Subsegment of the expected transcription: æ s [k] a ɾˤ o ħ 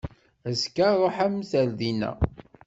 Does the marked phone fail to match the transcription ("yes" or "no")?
no